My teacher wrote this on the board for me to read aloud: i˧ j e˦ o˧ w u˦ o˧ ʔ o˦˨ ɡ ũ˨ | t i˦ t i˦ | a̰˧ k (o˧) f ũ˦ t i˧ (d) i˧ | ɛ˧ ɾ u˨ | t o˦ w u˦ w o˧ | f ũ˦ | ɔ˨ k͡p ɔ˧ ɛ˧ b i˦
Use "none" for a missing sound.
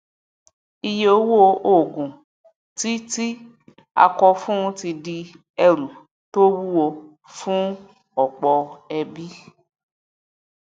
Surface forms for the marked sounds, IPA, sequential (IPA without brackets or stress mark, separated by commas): ɔ˧, d